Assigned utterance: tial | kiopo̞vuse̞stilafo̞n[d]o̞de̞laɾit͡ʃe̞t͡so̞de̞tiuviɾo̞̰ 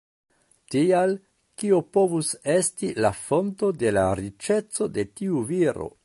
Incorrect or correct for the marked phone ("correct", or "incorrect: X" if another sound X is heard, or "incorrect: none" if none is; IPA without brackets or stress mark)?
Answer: incorrect: t